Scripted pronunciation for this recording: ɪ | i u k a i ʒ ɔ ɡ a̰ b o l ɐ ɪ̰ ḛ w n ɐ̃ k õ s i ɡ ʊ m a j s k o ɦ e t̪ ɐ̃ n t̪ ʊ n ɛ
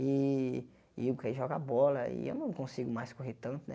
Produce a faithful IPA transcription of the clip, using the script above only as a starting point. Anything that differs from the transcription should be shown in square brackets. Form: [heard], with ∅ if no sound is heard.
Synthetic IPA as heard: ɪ | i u k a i ʒ ɔ ɡ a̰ b [ɔ] l ɐ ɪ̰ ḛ w n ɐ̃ k õ s i ɡ ʊ m a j s k o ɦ e t̪ ɐ̃ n t̪ ʊ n ɛ